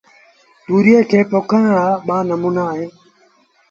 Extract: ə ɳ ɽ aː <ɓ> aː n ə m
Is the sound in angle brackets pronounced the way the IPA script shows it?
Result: yes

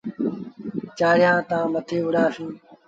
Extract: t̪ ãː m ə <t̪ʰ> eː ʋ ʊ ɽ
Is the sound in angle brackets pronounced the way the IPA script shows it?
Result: yes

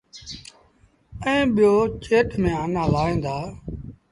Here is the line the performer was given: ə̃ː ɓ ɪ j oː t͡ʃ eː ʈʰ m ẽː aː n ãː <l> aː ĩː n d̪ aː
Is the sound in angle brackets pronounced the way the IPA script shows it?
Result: yes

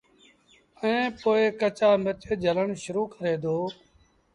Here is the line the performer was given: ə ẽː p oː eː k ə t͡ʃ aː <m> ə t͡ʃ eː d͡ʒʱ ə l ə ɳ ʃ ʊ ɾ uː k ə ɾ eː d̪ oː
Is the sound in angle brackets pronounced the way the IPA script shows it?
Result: yes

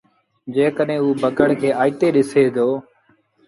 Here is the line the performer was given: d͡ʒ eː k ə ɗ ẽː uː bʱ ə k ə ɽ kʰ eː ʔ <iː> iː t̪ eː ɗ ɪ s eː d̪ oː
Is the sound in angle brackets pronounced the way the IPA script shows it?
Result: no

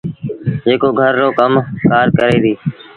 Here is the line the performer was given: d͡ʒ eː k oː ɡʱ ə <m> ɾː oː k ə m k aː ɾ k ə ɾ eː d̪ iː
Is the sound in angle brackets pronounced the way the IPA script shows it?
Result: no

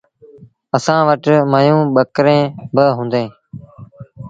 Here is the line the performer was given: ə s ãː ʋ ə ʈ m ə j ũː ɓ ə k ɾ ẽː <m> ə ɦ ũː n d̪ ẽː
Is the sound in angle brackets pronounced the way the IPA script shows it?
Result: no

